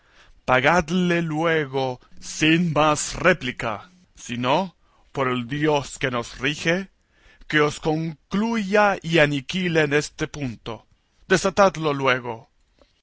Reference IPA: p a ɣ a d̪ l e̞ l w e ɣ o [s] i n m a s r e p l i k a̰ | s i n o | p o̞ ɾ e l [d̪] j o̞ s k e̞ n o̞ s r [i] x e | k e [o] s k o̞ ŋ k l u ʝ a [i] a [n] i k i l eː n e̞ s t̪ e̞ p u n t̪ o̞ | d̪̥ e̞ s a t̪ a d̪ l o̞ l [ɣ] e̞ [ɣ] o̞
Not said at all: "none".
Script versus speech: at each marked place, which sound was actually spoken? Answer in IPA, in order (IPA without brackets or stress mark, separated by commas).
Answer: s, d̪, i, o, i, n, w, ɣ